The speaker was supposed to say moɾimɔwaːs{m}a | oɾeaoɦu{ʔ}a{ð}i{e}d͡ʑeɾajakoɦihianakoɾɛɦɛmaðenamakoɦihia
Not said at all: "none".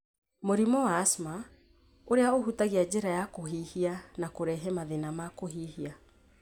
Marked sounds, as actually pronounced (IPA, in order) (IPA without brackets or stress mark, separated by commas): m, t, ɣ, a